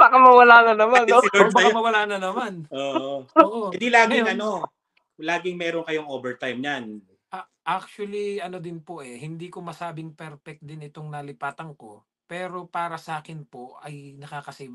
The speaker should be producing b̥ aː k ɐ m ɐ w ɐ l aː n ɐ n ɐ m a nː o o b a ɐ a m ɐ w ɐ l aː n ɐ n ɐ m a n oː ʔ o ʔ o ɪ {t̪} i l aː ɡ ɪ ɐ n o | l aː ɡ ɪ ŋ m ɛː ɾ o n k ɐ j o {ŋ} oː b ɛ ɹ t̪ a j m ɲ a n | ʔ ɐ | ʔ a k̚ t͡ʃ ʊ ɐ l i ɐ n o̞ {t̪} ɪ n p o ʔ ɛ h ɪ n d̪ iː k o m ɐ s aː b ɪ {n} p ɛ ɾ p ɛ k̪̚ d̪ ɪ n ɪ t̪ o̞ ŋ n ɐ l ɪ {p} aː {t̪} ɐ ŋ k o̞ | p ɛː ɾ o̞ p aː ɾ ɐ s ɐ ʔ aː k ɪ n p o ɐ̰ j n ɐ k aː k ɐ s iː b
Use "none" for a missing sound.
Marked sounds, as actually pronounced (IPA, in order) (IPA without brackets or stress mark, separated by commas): d̪, ŋ, d̪, ŋ, p, t̪